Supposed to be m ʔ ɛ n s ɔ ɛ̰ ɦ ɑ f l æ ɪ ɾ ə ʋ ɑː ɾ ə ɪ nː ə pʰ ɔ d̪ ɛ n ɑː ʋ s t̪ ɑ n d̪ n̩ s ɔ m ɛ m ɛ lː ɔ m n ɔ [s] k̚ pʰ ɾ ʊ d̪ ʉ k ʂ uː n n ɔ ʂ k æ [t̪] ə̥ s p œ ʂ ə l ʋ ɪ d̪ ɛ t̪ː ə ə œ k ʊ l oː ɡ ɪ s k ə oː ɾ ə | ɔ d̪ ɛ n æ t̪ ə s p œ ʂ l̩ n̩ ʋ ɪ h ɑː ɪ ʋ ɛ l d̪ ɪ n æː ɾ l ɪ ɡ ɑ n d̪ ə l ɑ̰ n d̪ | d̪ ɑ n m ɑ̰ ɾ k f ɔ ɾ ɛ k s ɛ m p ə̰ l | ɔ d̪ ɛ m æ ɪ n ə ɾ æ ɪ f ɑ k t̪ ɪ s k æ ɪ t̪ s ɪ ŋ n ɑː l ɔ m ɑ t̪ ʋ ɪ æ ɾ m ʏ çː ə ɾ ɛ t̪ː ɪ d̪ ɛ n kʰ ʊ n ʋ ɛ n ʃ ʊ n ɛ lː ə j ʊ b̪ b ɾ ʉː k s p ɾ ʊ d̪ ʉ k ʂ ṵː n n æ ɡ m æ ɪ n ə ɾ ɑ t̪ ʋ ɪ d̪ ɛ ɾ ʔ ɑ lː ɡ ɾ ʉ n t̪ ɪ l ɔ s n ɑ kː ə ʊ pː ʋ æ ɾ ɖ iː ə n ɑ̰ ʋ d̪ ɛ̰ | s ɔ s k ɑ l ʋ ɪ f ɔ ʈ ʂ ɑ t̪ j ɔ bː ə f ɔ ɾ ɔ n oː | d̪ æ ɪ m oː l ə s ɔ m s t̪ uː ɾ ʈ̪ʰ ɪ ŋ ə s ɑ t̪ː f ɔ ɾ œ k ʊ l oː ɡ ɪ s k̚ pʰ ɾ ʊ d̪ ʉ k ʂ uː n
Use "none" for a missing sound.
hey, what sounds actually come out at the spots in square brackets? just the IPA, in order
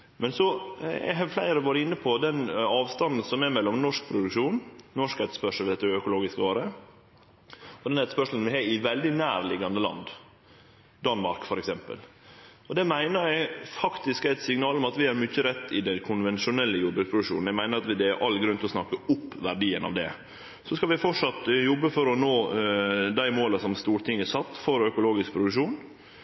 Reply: ʂ, t̪

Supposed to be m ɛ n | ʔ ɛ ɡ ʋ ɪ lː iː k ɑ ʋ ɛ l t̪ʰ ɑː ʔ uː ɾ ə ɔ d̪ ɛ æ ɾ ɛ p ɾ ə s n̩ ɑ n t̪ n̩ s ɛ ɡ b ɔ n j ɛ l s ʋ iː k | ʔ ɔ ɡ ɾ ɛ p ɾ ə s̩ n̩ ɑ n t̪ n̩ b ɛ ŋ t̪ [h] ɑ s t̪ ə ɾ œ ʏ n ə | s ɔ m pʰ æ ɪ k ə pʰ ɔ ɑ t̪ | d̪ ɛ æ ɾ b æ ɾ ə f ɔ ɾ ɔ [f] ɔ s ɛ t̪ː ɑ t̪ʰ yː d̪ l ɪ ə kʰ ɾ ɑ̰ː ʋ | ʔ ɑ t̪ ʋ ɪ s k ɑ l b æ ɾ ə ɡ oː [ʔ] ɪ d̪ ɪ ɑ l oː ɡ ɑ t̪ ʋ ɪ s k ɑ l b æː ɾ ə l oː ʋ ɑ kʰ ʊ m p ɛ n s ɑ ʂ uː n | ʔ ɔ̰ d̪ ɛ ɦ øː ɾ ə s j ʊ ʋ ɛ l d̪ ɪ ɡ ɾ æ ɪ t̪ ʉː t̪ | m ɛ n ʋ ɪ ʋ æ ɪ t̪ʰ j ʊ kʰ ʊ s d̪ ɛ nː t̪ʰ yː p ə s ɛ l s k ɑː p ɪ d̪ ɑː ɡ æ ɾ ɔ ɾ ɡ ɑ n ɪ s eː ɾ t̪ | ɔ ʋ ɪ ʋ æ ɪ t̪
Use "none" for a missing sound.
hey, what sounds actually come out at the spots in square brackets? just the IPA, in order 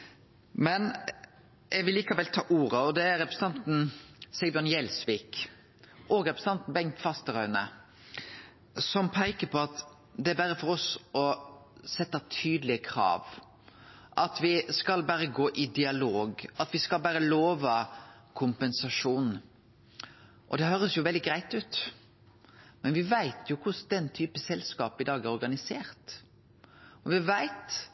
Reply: f, s, ʔ

